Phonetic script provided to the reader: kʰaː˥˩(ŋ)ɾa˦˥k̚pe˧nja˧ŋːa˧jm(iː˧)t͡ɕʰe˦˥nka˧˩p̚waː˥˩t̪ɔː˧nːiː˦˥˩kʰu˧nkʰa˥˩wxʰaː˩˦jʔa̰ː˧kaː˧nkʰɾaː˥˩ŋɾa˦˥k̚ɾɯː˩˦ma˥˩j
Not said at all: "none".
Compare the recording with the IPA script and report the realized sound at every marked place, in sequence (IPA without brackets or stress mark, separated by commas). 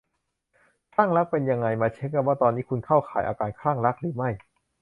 ŋ, aː˧